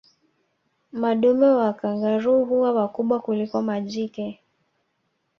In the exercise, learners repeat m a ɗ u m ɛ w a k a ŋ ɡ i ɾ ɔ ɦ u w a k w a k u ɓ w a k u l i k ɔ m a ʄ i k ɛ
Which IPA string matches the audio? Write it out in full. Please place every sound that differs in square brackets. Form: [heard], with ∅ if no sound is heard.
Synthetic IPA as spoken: m a ɗ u m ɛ w a k a ŋ ɡ [a] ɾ [u] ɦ u w a [∅] w a k u ɓ w a k u l i k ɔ m a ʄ i k ɛ